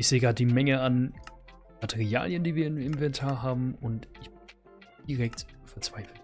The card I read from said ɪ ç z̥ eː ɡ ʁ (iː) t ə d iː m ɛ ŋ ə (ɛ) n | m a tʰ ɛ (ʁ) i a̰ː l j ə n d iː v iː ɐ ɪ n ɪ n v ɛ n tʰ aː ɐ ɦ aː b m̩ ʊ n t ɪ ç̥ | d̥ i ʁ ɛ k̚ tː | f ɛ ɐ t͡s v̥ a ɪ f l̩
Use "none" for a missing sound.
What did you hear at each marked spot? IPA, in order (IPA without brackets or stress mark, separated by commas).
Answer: aː, a, ʁ